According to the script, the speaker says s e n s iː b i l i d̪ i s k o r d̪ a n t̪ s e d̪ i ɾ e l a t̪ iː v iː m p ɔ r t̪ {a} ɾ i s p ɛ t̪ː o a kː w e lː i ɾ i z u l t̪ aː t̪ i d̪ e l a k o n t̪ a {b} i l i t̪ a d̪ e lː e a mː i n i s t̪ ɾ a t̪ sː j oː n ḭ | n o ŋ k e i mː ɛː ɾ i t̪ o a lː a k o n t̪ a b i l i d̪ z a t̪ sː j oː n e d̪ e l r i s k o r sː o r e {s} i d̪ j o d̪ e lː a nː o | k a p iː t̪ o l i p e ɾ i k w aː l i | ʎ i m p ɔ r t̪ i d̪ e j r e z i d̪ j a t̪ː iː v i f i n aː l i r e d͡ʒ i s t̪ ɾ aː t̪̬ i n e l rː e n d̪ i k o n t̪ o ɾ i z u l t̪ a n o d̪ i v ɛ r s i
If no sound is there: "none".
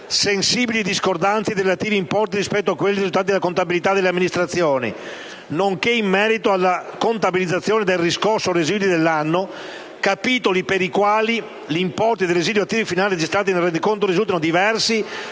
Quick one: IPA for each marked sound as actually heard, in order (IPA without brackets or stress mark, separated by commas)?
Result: i, b, z